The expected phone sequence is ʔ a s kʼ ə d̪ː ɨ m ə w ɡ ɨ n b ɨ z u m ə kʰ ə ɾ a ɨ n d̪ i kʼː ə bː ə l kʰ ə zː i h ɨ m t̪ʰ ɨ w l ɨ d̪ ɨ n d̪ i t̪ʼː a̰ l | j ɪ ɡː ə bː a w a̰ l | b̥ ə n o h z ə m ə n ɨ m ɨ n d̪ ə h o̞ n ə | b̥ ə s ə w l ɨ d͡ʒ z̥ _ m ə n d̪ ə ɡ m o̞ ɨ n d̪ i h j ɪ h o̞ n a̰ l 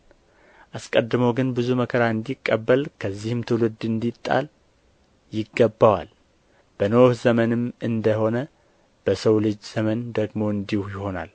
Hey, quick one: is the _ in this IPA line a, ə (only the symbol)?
ə